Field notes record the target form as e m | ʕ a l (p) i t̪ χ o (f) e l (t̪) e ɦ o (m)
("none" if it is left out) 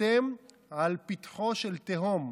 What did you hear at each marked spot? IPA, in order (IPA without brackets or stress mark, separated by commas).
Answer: p, ʃ, t̪, m